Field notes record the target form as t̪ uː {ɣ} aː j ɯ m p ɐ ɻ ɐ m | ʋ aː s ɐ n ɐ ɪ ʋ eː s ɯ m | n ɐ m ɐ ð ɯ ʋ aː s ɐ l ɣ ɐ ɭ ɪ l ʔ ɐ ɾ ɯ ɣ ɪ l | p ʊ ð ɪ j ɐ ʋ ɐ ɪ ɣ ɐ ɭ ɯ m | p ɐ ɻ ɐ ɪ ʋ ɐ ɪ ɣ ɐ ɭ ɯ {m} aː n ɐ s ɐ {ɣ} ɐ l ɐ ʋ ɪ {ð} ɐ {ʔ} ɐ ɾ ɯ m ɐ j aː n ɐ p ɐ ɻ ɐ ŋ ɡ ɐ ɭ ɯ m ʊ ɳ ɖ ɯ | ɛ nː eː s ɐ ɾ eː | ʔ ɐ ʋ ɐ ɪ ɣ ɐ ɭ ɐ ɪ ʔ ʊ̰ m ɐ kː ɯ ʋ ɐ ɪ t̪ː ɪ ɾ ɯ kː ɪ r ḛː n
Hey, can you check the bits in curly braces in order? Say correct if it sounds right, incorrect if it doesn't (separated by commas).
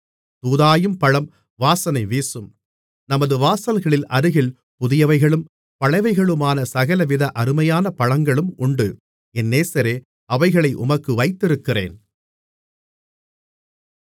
incorrect, correct, correct, correct, correct